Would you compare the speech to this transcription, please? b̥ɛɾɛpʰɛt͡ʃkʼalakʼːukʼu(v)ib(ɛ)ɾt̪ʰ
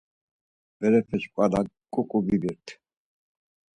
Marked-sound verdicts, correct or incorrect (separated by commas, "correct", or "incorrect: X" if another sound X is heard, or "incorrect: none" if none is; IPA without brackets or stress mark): incorrect: b, incorrect: i